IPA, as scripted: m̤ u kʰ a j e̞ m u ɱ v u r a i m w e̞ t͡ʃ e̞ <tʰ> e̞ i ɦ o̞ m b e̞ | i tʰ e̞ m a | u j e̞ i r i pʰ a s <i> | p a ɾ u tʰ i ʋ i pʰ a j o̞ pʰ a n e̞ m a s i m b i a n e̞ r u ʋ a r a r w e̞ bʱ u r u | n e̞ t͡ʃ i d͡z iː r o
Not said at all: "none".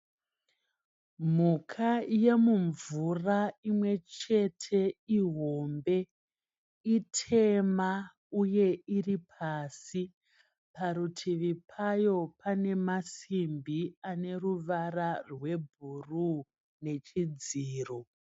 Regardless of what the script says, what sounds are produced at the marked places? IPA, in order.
tʰ, i

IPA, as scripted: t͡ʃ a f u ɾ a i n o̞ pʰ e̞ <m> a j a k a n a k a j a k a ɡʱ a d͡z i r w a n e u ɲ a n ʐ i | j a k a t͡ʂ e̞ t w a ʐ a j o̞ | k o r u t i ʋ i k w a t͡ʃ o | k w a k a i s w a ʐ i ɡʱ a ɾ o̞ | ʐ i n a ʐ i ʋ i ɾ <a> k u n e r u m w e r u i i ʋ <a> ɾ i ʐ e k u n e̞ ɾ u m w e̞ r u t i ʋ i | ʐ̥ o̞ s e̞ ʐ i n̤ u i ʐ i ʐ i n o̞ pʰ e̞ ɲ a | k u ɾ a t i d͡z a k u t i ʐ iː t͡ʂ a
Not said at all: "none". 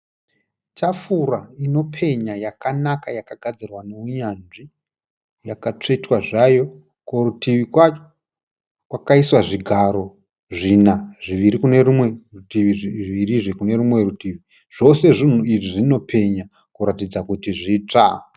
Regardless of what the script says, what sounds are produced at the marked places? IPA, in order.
ɲ, i, i

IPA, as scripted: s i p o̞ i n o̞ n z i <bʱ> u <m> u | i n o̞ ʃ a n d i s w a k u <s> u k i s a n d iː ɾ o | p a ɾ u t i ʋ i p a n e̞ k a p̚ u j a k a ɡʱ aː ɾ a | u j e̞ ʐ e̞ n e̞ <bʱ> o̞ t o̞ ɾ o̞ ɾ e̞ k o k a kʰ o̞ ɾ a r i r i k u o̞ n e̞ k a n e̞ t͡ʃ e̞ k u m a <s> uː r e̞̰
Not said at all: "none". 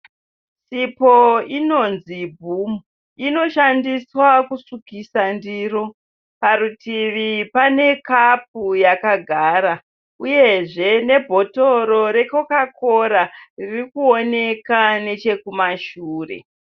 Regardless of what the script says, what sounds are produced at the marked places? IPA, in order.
bʱ, m, s, bʱ, ʃ

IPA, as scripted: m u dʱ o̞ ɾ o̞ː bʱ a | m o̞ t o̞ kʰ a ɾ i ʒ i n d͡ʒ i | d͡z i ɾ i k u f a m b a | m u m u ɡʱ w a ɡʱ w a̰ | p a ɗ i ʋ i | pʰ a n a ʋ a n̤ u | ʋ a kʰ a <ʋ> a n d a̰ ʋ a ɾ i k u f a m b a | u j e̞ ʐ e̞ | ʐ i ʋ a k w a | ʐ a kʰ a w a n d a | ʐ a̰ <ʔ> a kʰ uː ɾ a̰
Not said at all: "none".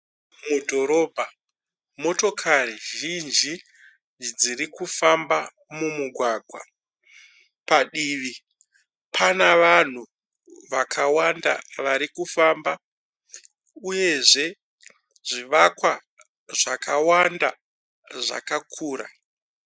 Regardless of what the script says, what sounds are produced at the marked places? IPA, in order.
w, k

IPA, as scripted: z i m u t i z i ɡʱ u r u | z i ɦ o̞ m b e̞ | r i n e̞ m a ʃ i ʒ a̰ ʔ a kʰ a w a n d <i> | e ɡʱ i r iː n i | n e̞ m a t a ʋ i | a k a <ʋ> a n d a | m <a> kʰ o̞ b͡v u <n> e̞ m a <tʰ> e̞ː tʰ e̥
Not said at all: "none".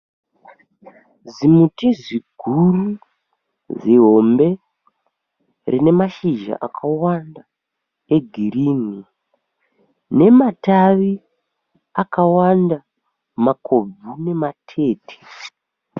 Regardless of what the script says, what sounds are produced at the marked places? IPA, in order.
a, w, a, n, tʰ

